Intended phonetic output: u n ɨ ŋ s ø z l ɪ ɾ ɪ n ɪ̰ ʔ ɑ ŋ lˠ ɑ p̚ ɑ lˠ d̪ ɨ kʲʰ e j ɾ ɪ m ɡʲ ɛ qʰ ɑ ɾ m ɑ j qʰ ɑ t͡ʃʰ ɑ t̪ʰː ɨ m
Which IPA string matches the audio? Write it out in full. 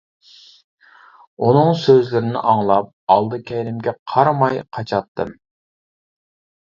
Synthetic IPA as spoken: u n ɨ ŋ s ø z l ɪ ɾ ɪ n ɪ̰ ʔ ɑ ŋ lˠ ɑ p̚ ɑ lˠ d̪ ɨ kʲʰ ɛ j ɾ ɪ m ɡʲ ɛ qʰ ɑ ɾ m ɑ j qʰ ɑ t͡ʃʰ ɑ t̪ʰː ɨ m